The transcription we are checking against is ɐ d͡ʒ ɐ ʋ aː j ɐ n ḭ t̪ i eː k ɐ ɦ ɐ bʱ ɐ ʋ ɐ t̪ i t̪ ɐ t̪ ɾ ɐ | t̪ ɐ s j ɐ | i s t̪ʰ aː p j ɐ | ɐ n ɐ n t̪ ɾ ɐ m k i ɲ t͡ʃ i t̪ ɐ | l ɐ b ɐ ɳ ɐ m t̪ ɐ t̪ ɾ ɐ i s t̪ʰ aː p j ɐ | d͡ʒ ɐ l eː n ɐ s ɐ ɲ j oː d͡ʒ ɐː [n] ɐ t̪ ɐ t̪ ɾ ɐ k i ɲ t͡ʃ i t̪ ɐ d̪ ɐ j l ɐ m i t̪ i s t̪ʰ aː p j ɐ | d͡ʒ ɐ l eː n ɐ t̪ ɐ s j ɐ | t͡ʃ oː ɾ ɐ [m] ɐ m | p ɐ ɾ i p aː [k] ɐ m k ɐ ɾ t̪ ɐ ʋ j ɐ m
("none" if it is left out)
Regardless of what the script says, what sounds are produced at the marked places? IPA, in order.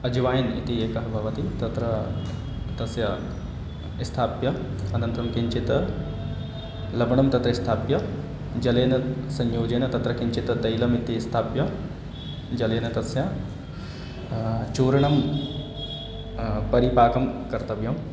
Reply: n, ɳ, k

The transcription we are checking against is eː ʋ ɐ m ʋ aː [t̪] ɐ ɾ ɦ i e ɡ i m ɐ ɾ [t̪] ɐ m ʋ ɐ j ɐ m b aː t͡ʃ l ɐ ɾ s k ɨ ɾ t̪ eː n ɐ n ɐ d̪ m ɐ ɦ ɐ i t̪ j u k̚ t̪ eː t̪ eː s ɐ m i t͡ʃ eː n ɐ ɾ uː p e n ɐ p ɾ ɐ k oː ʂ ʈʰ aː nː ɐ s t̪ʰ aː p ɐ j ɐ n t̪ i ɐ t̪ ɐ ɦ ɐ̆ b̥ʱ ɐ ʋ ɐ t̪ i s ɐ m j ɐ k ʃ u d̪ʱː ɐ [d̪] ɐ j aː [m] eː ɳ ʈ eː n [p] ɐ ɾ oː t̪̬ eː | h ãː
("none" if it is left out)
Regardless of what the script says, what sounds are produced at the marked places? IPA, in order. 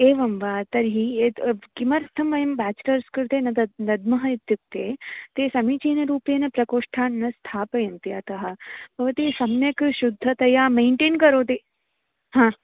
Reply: t̪, t̪ʰ, t̪, m, k

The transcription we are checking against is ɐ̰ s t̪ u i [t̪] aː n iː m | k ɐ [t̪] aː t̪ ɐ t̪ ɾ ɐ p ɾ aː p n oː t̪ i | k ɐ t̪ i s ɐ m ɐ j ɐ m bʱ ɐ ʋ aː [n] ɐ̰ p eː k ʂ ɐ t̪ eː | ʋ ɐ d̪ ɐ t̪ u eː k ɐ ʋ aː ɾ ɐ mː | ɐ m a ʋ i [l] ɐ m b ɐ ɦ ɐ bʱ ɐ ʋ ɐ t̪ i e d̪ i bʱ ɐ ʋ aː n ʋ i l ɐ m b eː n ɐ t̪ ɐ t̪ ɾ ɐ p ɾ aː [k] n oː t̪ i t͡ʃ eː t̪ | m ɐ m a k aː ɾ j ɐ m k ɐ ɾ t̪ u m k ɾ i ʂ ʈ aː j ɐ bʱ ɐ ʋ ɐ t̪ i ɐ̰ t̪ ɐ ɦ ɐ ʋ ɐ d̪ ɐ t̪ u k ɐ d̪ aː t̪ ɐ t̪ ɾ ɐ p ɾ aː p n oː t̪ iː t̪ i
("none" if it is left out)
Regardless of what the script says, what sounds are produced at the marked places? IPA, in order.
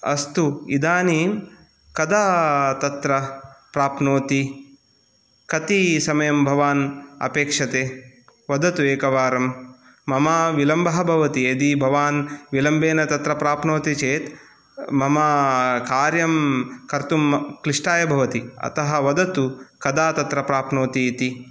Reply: d̪, d̪, n, l, p

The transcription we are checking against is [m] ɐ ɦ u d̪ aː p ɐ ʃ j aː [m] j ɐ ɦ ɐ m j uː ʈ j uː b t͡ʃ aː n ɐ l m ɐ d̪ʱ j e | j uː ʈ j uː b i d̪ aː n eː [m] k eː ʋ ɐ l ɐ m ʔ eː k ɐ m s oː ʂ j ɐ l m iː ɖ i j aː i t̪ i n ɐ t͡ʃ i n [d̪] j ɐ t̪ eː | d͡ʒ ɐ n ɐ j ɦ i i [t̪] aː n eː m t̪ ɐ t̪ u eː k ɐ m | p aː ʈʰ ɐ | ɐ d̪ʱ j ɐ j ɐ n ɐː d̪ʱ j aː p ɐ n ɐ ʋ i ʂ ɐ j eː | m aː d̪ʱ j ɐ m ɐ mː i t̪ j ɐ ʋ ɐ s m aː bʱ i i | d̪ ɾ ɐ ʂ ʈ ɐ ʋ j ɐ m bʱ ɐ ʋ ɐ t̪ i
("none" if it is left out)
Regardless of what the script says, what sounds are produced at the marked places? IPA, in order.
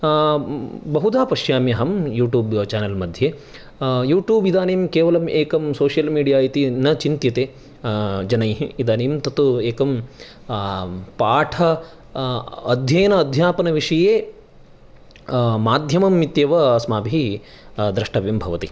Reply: b, m, m, t̪, d̪

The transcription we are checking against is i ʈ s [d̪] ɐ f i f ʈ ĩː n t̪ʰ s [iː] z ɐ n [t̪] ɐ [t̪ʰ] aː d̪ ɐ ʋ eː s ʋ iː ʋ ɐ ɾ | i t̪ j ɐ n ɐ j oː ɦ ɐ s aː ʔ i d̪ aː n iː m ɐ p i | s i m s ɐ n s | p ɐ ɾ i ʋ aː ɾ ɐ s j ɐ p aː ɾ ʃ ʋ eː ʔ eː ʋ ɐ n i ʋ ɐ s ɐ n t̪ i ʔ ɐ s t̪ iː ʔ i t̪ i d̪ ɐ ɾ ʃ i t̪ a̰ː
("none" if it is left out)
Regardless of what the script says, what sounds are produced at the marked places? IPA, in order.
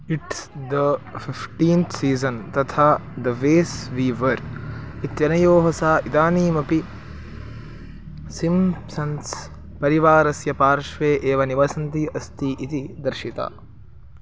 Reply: d̪, iː, t̪, t̪ʰ

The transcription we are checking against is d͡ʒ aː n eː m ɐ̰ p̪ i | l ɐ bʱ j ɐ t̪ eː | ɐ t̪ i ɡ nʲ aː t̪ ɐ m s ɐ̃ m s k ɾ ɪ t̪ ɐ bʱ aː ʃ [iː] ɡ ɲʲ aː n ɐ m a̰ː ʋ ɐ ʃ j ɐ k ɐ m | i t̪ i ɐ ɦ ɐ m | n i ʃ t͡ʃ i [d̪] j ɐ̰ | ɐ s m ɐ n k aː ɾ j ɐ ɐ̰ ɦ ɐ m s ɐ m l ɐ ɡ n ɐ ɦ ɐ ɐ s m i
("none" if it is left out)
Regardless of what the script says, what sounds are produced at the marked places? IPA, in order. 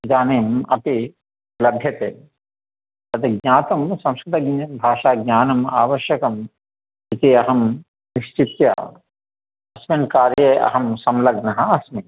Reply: aː, t̪

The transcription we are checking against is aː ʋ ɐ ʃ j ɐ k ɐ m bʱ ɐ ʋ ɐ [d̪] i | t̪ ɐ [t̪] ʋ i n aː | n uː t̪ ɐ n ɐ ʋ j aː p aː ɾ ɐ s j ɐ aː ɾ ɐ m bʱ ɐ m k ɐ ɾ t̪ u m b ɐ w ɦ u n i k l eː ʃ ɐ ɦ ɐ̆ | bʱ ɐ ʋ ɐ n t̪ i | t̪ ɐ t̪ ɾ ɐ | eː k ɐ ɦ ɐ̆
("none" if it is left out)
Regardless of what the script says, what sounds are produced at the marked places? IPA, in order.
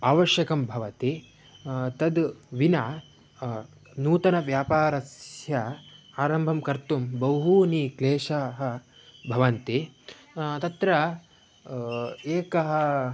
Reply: t̪, d̪

